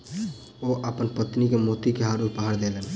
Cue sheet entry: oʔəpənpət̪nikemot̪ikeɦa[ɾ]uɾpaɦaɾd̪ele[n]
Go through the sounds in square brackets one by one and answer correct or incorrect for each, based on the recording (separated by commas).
correct, correct